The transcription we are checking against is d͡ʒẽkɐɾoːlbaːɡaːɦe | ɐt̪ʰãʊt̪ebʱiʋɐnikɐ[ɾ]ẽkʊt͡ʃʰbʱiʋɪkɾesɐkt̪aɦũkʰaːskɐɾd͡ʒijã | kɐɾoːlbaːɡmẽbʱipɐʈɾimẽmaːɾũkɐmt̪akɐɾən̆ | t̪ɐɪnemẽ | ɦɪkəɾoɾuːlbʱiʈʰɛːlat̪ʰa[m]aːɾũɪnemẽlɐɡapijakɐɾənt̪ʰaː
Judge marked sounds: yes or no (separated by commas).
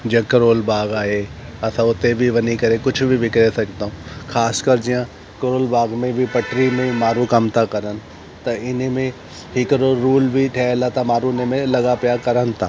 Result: yes, yes